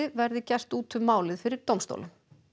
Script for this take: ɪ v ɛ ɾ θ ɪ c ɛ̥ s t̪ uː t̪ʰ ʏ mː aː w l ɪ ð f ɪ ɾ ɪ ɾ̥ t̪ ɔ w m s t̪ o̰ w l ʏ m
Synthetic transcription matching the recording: ɪ v ɛ ɾ ð ɪ c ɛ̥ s t̪ uː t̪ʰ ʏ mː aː w l ɪ ð f ɪ ɾ ɪ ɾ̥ t̪ o w m s t̪ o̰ w l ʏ m